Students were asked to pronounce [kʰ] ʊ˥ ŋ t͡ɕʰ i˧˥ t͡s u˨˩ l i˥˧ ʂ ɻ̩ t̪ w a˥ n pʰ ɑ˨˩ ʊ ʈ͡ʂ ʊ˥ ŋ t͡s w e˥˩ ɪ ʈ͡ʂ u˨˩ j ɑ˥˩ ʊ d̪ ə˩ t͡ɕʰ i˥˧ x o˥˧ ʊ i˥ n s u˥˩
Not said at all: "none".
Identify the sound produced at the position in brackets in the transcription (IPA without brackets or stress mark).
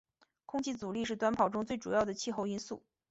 kʰ